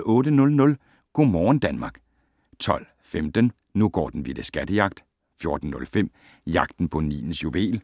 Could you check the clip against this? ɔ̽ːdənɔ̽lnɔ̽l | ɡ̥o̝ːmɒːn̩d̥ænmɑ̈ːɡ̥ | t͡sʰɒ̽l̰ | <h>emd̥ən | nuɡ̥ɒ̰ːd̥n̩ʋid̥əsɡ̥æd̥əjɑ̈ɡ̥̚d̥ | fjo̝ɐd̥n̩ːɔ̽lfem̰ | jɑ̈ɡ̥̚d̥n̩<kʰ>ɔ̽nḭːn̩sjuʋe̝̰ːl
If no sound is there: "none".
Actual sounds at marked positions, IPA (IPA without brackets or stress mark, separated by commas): f, pʰ